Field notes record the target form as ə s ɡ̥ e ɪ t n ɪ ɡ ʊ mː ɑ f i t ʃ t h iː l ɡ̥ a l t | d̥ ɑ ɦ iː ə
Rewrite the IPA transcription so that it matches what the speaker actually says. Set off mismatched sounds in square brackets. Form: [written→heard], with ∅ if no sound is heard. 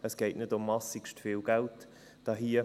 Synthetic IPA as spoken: ə s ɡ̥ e ɪ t n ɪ [ɡ→d] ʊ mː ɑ [f→s] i [t→k] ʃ t [h→f] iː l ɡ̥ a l t | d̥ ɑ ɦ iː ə